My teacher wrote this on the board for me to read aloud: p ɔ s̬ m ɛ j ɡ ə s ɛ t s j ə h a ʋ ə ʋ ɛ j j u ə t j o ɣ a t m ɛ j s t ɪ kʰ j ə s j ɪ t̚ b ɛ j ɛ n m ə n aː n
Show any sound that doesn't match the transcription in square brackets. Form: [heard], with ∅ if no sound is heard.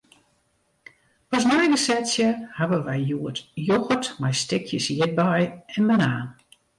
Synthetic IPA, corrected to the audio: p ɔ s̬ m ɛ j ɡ ə s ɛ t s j ə h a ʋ ə ʋ ɛ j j u ə t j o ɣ [ə] t m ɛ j s t ɪ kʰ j ə s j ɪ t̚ b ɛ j ɛ n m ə n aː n